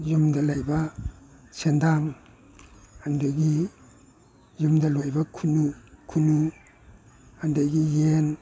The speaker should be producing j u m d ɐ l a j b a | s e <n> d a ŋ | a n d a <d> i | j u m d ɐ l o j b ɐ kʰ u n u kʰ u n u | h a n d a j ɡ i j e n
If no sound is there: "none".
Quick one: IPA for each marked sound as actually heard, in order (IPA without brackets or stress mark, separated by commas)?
n, ɡ